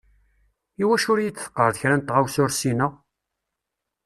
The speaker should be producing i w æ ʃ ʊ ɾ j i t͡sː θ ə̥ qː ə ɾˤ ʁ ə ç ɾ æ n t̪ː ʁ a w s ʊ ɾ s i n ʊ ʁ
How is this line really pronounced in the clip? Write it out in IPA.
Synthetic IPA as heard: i w æ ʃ ʊ ɾ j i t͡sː θ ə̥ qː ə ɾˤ ð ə ç ɾ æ n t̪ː ʁ a w s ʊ ɾ s i n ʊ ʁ